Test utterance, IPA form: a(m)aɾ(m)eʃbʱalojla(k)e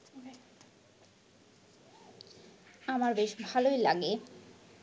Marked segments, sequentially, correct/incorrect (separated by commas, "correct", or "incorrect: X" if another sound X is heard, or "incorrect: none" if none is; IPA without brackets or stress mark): correct, incorrect: b, incorrect: ɡ